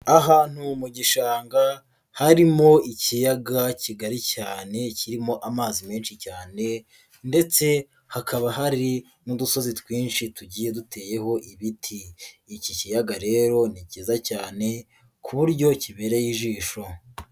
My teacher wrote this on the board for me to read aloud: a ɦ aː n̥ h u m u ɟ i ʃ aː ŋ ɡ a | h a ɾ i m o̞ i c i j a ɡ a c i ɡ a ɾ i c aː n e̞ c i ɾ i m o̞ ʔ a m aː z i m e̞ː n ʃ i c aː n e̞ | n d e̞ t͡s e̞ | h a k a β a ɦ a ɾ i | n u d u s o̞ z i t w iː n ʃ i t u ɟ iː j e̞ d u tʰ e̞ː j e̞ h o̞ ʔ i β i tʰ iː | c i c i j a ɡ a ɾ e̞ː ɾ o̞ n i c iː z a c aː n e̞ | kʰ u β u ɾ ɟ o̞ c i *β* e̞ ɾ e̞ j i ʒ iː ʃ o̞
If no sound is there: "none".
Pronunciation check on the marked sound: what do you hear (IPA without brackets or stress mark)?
β